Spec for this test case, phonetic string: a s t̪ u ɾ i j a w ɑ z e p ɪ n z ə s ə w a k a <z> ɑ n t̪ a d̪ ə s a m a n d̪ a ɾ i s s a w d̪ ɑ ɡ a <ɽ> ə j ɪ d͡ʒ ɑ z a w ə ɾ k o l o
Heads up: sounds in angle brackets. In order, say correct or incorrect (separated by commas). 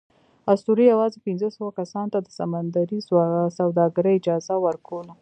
incorrect, incorrect